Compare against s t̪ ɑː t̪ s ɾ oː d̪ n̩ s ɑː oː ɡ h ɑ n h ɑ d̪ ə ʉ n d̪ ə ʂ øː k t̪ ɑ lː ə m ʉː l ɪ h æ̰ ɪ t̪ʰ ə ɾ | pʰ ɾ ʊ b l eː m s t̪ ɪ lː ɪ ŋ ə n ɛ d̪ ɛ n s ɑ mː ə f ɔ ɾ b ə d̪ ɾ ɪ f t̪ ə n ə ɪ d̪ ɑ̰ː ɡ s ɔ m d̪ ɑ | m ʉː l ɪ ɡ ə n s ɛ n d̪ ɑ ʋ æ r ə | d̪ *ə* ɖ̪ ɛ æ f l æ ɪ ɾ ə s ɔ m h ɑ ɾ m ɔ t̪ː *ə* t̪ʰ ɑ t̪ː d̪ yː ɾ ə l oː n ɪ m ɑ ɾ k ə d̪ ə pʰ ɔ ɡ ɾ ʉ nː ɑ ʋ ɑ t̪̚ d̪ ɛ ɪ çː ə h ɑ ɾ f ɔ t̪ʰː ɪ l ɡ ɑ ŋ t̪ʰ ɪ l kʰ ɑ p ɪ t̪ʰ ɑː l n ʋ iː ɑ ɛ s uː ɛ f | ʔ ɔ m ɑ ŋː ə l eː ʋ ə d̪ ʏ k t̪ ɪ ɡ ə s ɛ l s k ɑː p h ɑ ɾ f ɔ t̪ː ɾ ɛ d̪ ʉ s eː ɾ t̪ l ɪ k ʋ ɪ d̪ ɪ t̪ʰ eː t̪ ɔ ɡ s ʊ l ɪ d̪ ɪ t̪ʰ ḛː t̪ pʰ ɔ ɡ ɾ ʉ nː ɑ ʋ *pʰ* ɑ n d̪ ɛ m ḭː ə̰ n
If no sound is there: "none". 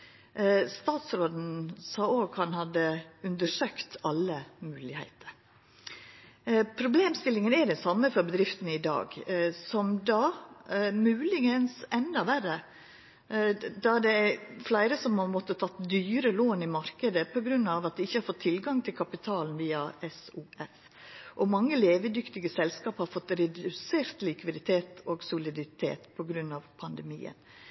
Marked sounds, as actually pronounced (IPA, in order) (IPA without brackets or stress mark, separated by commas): ɑ, ə, pʰ